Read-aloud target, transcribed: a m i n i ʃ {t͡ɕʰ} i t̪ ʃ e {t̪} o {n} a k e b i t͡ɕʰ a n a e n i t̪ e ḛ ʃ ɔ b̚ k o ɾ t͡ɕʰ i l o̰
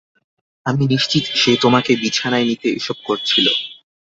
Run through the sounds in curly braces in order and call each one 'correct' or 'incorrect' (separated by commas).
incorrect, correct, incorrect